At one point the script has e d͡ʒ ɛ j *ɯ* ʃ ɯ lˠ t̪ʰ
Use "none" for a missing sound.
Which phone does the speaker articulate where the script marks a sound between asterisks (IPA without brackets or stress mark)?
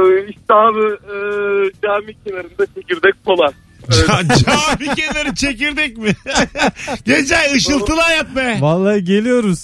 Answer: ɯ